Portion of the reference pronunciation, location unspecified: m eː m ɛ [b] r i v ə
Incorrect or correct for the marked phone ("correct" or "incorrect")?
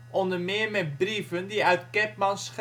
correct